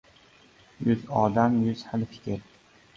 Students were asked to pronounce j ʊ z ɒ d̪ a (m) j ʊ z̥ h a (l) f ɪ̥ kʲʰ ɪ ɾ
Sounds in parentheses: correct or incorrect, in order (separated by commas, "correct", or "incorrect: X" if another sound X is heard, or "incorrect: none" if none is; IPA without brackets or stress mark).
correct, correct